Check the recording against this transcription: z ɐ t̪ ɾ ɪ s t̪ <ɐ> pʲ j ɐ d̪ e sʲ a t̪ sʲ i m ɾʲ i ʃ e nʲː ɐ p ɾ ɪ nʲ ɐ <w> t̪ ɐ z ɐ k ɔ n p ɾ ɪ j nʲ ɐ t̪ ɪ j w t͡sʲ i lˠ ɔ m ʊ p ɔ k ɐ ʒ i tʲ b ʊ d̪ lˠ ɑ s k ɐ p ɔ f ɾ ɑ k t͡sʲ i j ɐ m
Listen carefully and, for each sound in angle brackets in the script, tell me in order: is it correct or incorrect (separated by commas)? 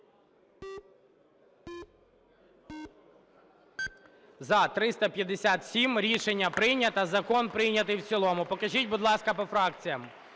correct, incorrect